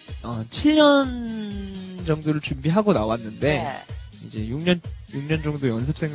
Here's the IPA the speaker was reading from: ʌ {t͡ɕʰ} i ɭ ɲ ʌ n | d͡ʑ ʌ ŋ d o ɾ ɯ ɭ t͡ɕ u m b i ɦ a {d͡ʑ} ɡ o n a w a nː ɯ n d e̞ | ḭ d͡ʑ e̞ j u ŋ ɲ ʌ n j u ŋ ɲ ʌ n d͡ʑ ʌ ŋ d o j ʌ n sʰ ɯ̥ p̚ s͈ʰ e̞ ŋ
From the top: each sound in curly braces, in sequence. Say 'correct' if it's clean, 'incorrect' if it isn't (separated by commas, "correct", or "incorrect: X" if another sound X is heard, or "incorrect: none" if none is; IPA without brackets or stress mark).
correct, incorrect: none